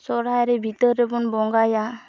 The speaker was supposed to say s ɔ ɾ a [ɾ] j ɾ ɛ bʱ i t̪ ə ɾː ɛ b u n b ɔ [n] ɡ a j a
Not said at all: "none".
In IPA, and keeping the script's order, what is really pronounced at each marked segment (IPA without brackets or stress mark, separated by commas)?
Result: none, ŋ